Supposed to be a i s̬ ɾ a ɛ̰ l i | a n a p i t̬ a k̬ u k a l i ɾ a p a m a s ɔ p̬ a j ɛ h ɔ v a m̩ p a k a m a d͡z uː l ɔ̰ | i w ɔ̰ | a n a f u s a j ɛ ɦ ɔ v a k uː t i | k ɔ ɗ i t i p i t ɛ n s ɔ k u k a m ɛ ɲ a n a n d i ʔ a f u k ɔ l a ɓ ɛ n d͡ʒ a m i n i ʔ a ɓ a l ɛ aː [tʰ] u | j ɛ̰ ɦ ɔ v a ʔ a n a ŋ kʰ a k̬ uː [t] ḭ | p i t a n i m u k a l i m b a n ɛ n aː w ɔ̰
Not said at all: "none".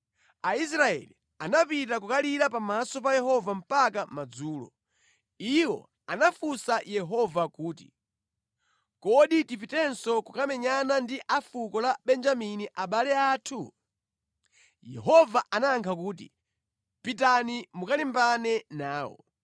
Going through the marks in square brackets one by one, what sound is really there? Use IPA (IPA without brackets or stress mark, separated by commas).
tʰ, t